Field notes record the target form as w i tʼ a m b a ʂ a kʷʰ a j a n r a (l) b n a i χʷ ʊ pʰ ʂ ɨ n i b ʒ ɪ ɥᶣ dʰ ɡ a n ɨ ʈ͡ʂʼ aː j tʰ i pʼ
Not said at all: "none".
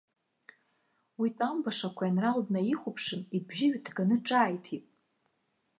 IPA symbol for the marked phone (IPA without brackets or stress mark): l